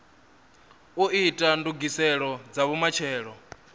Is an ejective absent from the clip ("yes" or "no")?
no